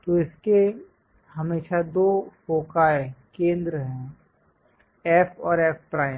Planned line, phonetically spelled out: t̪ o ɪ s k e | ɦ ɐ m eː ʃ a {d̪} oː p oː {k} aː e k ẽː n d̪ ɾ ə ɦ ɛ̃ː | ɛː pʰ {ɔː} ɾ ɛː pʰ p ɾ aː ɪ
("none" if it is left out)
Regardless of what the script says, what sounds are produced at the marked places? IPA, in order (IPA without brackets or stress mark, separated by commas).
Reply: d̪, k, ɔː